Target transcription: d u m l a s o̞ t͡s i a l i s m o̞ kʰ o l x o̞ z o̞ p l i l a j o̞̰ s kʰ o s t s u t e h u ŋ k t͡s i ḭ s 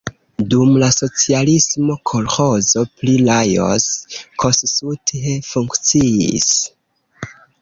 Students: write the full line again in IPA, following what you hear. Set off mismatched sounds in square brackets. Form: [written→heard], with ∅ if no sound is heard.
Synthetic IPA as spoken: d u m l a s o̞ t͡s i a l i s m o̞ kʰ o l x o̞ z o̞ p l i l a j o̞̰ s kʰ o s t s u t e [h→f] u ŋ k t͡s i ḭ s